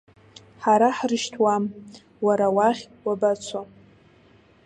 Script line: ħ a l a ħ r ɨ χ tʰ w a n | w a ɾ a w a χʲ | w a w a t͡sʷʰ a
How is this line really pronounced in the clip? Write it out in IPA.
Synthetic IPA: ħ a ɾ a ħ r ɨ ʃ tʰ w a m | w a ɾ a w a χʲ | w a b a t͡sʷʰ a